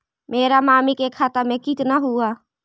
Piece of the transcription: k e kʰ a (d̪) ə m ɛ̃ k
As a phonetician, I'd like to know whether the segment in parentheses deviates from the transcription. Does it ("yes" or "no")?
yes